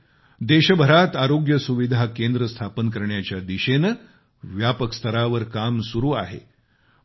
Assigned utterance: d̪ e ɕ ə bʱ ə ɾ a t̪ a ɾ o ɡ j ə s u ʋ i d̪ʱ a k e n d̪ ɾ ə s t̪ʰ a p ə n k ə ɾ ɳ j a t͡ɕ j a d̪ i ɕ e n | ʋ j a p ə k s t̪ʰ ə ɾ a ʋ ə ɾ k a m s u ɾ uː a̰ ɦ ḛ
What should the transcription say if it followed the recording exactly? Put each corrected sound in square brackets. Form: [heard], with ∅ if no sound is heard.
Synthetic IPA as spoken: d̪ e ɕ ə bʱ ə ɾ a t̪ a ɾ o ɡ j ə s u ʋ i d̪ʱ a k e n d̪ ɾ ə s t̪ʰ a p ə n k ə ɾ ɳ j a t͡ɕ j a d̪ i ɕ e n | ʋ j a p ə k s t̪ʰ ə ɾ a ʋ ə ɾ k a m s u ɾ uː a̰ ɦ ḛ